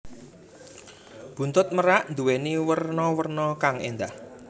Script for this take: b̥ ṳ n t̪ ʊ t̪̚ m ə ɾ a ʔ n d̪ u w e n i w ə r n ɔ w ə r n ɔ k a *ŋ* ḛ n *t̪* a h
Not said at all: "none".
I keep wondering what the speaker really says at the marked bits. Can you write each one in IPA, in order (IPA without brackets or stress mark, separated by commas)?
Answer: ŋ, d̪